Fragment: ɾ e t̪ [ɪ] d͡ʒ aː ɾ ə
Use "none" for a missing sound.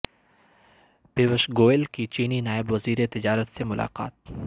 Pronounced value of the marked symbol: ɪ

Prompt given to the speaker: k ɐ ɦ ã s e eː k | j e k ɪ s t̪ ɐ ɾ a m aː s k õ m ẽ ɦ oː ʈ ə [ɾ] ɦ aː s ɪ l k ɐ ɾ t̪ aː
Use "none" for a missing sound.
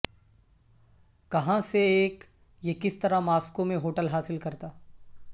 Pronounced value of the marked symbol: l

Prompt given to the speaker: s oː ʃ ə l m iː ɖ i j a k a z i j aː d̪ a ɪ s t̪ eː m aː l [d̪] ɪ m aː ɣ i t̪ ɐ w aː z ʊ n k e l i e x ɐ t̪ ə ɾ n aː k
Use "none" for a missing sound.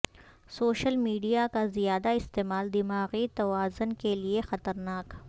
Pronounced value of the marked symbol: d̪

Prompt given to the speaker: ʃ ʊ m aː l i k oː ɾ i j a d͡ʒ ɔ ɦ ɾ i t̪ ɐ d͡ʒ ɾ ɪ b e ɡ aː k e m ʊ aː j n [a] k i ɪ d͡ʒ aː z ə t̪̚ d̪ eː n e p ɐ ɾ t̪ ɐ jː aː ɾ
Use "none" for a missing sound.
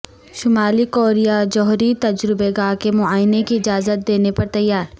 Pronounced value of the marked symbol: e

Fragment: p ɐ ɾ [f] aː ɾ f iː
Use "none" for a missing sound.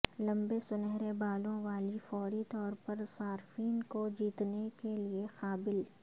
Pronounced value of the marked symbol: s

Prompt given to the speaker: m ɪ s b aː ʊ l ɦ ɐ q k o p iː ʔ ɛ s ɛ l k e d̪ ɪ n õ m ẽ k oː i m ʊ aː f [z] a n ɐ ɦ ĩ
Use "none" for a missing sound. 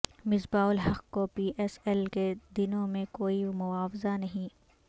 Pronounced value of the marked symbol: z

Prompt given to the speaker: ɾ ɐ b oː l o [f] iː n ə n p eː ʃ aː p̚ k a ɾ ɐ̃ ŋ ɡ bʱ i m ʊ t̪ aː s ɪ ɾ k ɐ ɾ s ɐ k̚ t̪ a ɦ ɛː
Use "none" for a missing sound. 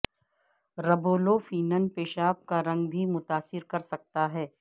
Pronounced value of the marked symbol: f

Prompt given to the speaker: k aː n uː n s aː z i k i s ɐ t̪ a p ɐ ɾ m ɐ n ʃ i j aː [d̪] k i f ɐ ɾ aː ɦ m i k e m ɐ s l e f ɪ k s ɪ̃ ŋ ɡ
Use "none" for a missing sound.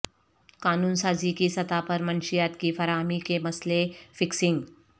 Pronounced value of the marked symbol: t̪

